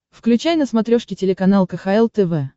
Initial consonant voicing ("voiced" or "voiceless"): voiceless